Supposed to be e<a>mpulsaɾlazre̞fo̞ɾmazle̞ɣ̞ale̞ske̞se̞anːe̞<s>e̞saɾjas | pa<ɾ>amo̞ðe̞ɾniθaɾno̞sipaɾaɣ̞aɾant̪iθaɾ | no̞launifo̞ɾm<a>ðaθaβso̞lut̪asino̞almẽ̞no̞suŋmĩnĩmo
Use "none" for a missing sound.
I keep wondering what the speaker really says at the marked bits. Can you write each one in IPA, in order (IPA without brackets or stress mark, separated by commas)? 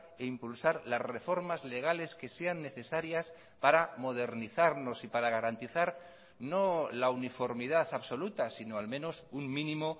i, θ, ɾ, i